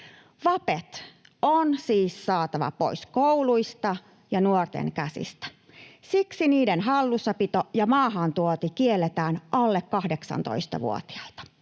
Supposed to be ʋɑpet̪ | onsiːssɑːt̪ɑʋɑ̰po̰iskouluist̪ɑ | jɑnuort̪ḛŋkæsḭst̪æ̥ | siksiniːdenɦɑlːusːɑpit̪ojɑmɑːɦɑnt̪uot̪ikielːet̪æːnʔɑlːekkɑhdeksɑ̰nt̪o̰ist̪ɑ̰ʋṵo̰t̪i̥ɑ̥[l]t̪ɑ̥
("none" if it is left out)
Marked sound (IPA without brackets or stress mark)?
l